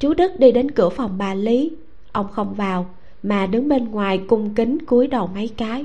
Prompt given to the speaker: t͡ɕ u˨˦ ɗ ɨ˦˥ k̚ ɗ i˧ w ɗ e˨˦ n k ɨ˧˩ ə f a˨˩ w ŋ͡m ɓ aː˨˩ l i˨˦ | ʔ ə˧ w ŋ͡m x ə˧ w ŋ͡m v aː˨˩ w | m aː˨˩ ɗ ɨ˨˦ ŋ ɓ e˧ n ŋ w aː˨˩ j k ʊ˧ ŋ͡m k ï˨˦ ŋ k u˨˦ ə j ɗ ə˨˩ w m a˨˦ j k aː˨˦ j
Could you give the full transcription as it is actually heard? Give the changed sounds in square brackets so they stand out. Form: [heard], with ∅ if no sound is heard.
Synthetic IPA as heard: t͡ɕ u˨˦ ɗ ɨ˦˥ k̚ ɗ i˧ [∅] ɗ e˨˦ n k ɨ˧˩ ə f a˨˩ w ŋ͡m ɓ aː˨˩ l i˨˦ | ʔ ə˧ w ŋ͡m x ə˧ w ŋ͡m v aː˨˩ w | m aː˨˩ ɗ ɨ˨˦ ŋ ɓ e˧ n ŋ w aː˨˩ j k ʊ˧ ŋ͡m k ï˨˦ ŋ k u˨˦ ə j ɗ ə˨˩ w m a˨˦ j k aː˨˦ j